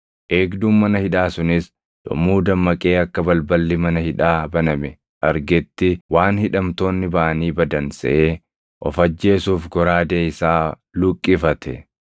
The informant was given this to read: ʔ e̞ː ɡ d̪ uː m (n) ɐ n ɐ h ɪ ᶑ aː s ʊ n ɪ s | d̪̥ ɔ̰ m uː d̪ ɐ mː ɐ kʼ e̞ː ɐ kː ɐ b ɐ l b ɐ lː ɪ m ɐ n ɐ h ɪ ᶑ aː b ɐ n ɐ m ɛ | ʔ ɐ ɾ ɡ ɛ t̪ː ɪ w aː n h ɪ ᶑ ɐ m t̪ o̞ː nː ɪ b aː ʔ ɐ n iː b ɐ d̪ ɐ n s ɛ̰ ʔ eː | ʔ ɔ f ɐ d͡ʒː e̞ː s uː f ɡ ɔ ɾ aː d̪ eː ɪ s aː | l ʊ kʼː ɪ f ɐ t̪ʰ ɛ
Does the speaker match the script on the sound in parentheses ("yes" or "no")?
no